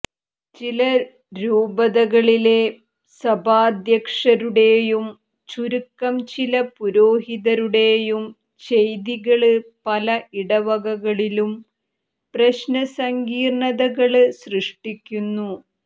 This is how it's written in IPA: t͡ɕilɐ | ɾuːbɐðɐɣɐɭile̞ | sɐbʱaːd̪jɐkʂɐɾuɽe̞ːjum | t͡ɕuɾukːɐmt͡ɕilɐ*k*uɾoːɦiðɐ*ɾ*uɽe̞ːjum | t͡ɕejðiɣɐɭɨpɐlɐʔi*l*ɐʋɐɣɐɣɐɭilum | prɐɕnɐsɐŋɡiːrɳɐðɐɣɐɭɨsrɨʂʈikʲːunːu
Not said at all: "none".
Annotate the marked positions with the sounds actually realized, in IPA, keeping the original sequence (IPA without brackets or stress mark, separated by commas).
p, ɾ, ɽ